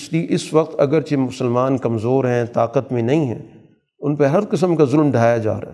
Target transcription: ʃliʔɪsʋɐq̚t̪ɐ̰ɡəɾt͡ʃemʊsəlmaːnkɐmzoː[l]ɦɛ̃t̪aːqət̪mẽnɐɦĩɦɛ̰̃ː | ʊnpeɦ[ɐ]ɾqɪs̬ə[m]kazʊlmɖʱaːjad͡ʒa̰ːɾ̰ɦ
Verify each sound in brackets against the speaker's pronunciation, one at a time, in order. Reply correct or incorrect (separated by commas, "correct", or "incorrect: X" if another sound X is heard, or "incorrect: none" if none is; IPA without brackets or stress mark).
incorrect: ɾ, correct, correct